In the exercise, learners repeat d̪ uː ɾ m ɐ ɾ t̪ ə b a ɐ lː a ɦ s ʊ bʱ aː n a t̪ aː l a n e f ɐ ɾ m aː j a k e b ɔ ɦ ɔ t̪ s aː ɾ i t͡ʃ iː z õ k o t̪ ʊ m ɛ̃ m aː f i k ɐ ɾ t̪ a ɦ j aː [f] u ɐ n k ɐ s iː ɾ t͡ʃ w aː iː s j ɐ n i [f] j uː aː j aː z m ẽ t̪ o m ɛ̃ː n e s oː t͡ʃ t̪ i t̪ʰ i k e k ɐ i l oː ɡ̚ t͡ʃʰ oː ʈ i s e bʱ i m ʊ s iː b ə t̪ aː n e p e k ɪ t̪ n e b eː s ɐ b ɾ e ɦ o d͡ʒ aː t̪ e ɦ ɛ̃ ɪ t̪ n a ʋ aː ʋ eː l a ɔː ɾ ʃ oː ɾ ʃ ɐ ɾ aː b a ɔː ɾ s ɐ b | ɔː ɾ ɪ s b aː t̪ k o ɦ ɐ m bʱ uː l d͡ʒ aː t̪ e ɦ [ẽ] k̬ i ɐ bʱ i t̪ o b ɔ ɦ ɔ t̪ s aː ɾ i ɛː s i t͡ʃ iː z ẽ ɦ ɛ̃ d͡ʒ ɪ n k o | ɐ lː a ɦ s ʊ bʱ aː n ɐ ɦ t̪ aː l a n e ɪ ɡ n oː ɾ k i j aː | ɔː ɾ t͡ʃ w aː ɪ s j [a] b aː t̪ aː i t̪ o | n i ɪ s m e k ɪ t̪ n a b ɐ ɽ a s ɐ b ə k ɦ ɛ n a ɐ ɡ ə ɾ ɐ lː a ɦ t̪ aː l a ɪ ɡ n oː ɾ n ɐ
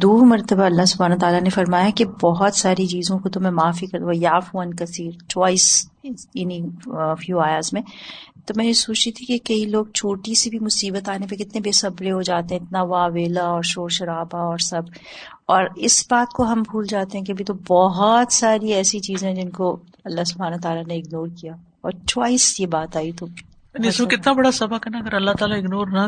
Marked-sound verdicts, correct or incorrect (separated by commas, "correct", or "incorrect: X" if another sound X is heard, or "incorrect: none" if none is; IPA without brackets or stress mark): correct, correct, incorrect: ɛ̃, incorrect: e